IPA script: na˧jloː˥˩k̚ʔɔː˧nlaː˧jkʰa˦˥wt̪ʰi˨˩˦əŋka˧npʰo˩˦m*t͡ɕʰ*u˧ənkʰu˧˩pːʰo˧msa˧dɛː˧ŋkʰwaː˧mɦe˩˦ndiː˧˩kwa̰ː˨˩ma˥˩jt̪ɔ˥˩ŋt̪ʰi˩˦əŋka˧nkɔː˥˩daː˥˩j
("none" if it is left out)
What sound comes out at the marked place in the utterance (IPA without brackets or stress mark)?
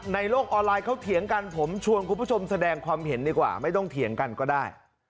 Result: t͡ɕʰ